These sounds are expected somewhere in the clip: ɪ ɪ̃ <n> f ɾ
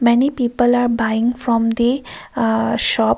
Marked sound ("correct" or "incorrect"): incorrect